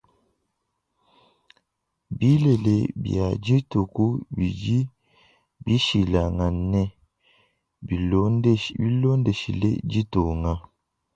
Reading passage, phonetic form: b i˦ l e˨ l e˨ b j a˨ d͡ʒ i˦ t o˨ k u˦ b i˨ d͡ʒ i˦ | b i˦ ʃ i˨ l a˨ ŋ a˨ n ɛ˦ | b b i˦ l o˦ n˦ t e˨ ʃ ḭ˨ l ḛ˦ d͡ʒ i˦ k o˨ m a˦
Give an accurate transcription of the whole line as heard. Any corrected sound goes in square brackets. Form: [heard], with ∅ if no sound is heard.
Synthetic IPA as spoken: b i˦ l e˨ l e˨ b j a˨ d͡ʒ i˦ t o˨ k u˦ b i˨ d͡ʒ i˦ | b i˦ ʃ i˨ l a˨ ŋ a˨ n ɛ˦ | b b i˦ l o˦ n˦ [d] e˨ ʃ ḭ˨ l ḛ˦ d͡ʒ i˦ [t] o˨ [ŋ] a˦